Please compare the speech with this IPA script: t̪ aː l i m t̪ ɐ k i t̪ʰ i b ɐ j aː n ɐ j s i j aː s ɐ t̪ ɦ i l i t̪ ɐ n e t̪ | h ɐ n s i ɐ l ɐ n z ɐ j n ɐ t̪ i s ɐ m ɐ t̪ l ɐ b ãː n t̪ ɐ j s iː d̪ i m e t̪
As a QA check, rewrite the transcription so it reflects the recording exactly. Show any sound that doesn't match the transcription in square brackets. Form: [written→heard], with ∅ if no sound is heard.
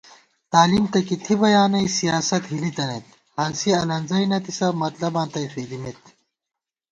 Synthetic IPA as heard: t̪ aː l i m t̪ ɐ k i t̪ʰ i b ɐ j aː n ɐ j s i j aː s ɐ t̪ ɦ i l i t̪ ɐ n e t̪ | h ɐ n s i ɐ l ɐ n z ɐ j n ɐ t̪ i s ɐ m ɐ t̪ l ɐ b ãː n t̪ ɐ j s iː d̪ i m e t̪